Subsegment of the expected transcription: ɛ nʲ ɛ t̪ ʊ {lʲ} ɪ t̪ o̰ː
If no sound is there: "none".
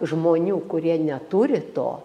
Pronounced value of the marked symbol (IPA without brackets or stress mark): ɾʲ